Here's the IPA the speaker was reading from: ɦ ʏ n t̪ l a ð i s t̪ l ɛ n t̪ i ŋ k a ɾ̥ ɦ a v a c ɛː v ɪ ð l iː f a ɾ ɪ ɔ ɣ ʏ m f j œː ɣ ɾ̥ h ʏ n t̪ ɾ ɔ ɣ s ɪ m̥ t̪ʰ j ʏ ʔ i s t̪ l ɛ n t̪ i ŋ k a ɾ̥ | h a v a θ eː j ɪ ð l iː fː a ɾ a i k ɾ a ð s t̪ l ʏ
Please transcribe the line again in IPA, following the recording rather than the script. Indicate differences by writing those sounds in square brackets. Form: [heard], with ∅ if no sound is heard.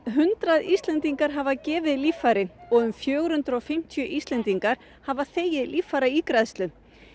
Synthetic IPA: ɦ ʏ n t̪ [ɾ] a ð i s t̪ l ɛ n t̪ i ŋ k a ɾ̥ ɦ a v a c ɛː v ɪ ð l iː f a ɾ ɪ ɔ ɣ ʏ m f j œː ɣ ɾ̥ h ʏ n t̪ ɾ ɔ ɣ [f] ɪ m̥ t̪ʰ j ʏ ʔ i s t̪ l ɛ n t̪ i ŋ k a ɾ̥ | h a v a θ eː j ɪ ð l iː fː a ɾ a i k ɾ a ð s t̪ l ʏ